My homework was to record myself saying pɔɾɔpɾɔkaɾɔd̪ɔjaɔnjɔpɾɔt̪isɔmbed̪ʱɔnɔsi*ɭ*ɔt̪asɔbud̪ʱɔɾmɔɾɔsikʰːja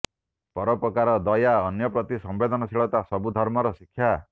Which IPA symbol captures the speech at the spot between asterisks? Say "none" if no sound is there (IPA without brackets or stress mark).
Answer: ɭ